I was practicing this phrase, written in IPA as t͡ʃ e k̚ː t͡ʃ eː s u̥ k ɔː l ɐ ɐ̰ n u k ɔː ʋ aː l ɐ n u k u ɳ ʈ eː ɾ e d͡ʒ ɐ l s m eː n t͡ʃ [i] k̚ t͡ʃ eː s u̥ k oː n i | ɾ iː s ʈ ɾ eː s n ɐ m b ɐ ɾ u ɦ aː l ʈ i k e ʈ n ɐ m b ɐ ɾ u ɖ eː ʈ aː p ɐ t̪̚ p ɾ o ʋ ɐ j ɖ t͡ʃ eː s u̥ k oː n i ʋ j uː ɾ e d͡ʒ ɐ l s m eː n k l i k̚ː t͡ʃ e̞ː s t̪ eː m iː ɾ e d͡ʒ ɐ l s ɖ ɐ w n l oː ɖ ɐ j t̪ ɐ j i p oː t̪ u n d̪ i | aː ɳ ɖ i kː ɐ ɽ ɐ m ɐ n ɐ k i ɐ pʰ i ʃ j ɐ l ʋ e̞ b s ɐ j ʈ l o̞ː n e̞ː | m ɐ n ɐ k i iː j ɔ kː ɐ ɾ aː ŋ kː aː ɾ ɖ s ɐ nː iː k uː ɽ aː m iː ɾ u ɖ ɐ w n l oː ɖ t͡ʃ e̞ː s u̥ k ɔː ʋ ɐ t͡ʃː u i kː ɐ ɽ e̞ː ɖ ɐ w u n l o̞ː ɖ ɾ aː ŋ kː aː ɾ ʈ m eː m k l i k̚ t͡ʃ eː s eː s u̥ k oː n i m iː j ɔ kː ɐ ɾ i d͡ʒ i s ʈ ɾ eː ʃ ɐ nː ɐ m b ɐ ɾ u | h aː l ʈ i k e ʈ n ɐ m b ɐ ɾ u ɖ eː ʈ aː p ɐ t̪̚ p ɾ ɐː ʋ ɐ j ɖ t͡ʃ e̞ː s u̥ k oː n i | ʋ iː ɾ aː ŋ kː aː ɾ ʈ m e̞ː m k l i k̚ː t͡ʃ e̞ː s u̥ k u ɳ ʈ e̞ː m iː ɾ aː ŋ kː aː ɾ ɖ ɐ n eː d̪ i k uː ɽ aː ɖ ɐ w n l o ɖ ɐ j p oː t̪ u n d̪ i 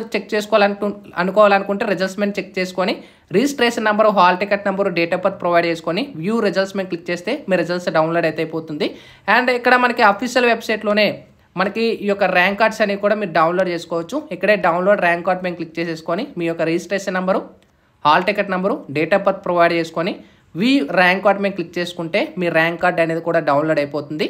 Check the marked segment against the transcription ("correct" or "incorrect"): incorrect